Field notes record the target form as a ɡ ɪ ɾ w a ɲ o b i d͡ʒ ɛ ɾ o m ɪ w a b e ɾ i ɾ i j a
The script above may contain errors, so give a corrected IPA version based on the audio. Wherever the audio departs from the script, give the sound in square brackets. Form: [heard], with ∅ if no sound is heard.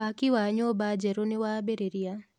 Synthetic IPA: a [k] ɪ [∅] w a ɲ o b [a] d͡ʒ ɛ ɾ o [n] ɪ w a b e ɾ [e] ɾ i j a